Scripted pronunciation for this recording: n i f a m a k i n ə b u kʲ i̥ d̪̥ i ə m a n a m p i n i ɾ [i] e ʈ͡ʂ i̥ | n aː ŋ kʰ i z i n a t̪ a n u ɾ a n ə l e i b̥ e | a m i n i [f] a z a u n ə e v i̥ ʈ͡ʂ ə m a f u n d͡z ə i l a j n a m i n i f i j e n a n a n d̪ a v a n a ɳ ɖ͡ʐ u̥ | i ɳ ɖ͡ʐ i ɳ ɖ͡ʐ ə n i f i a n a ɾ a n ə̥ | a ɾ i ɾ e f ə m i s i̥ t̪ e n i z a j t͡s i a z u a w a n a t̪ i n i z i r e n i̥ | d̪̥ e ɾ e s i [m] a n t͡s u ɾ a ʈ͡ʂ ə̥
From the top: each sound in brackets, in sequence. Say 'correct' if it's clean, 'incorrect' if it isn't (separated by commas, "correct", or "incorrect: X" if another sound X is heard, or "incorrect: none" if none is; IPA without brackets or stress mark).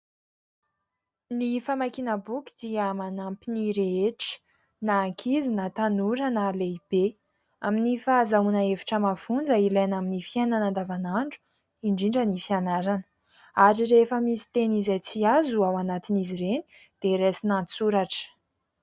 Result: incorrect: e, correct, incorrect: n